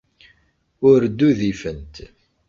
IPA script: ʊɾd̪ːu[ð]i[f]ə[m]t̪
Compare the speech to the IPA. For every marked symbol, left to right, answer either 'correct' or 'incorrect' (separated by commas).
correct, correct, incorrect